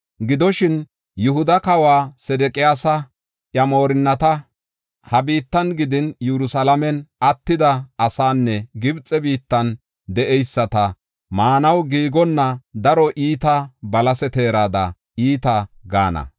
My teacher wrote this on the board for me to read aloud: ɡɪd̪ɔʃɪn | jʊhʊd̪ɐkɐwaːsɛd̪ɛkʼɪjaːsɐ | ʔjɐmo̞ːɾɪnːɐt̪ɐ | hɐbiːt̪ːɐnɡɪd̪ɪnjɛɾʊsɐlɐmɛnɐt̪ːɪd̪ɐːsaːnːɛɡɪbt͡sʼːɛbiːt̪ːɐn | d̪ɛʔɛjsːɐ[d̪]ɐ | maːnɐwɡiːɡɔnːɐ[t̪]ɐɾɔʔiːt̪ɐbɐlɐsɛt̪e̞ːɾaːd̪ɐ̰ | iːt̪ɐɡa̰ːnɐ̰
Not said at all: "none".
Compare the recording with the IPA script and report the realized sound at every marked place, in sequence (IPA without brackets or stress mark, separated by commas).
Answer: t̪, d̪